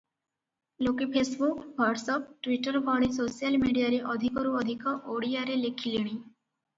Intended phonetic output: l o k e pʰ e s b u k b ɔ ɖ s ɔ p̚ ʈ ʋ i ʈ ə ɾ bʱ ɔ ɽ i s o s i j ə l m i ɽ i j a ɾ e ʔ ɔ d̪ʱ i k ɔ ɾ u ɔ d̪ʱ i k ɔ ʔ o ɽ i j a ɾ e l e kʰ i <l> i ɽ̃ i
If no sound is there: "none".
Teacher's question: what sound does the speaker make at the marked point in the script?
l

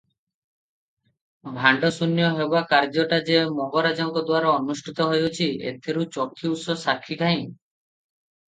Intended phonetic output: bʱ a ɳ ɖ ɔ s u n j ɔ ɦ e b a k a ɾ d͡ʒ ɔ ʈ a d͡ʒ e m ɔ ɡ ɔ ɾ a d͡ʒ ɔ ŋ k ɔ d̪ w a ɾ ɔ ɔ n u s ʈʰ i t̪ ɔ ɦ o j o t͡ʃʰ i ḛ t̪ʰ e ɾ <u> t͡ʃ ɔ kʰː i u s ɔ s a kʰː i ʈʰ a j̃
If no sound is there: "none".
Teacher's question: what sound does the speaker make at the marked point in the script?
u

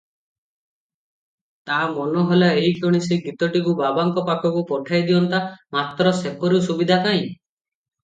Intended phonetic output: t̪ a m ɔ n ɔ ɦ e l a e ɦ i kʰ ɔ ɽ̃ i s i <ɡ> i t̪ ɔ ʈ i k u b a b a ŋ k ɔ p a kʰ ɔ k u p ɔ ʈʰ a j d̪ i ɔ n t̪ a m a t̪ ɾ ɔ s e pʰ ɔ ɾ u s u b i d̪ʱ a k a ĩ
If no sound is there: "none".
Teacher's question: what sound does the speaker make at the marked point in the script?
ɡ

